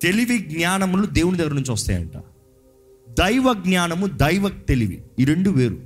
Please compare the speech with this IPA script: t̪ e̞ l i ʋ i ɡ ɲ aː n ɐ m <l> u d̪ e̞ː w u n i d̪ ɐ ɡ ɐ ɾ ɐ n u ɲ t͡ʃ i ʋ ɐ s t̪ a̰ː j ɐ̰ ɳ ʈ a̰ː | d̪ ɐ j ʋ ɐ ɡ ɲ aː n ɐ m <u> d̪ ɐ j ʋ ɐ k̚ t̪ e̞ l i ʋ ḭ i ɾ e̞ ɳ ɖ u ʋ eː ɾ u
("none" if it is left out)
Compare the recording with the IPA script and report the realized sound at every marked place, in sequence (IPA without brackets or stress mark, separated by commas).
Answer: l, u